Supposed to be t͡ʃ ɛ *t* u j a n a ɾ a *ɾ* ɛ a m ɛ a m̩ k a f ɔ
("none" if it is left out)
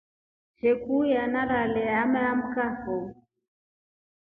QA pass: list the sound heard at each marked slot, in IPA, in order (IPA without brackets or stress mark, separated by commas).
k, l